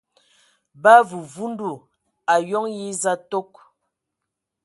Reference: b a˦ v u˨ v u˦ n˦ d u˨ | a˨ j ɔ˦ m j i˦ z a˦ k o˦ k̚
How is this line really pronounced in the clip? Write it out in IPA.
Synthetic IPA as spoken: b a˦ v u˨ v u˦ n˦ d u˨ | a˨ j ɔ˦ ŋ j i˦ z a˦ t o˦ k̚